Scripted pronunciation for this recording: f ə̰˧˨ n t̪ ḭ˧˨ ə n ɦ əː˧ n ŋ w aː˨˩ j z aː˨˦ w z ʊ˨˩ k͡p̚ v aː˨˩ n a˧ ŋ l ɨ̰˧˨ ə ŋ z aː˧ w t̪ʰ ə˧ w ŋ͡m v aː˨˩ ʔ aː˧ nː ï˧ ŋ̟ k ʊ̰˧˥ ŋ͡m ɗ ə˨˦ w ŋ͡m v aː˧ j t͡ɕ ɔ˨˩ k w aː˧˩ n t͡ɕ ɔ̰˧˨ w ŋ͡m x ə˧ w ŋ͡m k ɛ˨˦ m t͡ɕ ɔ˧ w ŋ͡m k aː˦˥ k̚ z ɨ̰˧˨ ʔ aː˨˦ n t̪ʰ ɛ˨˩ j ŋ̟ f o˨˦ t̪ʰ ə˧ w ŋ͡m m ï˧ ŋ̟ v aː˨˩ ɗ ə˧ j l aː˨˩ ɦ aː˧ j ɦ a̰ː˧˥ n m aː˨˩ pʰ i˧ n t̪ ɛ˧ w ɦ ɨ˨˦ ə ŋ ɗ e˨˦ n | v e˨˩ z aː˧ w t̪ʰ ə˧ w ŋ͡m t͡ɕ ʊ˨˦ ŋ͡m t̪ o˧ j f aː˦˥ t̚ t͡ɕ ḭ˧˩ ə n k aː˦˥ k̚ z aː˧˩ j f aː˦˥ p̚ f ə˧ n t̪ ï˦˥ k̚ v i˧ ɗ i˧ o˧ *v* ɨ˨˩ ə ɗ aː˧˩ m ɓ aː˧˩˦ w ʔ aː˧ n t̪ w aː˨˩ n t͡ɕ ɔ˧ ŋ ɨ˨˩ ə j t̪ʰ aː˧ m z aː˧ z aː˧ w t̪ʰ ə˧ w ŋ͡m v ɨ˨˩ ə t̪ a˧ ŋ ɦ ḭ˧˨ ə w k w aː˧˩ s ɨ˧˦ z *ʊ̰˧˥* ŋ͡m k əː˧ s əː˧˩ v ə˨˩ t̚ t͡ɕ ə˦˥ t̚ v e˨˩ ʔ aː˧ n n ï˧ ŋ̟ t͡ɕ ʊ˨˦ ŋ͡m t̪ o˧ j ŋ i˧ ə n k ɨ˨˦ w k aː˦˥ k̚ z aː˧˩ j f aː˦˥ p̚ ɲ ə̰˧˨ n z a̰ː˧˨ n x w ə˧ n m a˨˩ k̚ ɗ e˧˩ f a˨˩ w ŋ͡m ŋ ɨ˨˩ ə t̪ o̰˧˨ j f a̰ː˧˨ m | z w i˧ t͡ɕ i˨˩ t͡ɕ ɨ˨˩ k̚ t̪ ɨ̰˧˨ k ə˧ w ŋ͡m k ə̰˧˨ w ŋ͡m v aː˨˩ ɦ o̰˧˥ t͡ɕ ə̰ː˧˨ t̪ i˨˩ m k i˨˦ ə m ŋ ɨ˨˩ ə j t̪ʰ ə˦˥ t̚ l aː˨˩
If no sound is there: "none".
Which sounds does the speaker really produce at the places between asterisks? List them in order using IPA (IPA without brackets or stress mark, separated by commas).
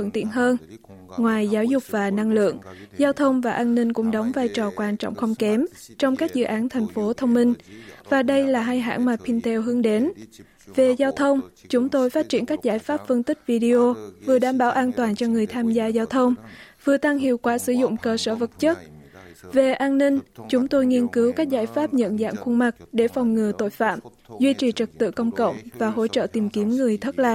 v, ʊ̰˧˨